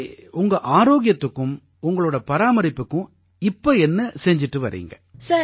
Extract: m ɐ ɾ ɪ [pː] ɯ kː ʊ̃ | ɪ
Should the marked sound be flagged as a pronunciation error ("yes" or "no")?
no